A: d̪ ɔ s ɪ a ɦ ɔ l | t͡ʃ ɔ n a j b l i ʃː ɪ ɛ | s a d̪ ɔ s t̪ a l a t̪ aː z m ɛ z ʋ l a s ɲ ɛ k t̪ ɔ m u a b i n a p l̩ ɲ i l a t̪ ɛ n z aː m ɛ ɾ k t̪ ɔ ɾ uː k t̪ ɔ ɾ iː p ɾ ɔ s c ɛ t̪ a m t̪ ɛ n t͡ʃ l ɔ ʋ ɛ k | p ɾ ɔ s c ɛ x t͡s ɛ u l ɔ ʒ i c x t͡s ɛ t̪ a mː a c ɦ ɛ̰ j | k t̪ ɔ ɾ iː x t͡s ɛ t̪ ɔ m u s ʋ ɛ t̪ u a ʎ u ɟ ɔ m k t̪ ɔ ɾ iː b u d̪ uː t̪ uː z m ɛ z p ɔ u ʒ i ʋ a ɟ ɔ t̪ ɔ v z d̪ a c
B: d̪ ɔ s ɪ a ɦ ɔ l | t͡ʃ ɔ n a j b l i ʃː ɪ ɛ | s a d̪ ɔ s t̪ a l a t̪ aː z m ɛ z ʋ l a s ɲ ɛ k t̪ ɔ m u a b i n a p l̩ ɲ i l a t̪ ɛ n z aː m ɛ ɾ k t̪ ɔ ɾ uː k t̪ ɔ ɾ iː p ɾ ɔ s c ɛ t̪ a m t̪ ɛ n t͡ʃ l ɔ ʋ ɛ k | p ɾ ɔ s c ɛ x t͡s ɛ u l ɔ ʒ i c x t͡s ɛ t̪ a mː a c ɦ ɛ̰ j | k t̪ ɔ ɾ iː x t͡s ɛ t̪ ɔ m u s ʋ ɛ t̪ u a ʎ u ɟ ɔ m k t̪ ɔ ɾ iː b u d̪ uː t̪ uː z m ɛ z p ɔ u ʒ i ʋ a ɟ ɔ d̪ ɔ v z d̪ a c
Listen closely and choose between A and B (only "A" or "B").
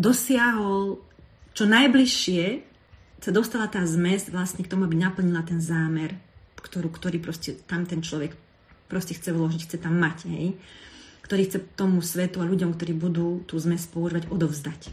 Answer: B